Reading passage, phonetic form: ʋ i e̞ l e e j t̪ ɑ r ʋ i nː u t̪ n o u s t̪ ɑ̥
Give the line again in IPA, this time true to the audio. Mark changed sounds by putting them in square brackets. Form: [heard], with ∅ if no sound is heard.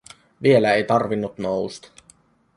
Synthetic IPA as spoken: ʋ i e̞ l [æ] e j t̪ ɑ r ʋ i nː u t̪ n o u s t̪ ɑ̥

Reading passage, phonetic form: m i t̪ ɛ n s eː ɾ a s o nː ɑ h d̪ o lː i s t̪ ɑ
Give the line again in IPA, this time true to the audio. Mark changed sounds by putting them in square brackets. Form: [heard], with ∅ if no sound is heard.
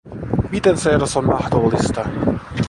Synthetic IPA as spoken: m i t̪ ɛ n s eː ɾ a s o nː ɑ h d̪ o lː i s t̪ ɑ

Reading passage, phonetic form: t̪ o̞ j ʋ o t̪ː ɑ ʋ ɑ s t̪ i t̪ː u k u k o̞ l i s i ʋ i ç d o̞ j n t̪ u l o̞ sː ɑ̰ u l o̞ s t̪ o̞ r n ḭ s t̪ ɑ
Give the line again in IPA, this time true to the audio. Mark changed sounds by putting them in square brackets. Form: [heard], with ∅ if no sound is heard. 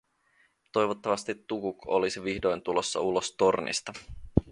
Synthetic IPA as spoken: t̪ o̞ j ʋ o t̪ː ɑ ʋ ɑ s t̪ i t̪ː u k u k o̞ l i s i ʋ i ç d o̞ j n t̪ u l o̞ sː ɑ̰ u l o̞ s t̪ o̞ r n ḭ s t̪ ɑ

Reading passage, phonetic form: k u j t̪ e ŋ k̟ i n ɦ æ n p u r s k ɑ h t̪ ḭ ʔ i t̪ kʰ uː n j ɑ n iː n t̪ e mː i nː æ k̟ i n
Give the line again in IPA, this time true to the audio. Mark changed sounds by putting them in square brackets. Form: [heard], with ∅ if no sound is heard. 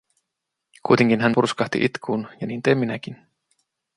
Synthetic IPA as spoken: k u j t̪ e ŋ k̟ i n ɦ æ n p u r s k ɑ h t̪ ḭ ʔ i t̪ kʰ uː n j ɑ n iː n t̪ e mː i [n] æ k̟ i n

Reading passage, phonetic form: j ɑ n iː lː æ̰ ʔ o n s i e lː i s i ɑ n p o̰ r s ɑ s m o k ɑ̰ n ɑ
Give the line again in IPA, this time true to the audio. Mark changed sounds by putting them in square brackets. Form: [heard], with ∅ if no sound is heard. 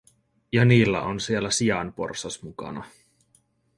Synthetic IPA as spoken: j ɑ n iː lː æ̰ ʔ o n s i e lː [æ] s i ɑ n p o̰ r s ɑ s m [u] k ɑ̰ n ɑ

